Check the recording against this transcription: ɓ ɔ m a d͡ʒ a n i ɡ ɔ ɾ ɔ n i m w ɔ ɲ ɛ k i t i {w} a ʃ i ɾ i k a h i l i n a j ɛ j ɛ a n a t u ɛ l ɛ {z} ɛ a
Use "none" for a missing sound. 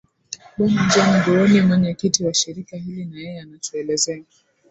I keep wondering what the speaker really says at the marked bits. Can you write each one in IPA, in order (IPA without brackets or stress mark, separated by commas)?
w, z